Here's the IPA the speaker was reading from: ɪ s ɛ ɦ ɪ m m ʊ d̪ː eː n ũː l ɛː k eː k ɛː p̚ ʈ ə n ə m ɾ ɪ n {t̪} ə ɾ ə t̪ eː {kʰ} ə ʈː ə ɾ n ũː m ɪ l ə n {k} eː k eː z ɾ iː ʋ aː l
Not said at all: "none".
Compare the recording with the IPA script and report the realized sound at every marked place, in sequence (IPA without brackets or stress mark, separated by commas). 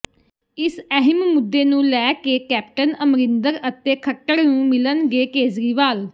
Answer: d̪, kʰ, ɡ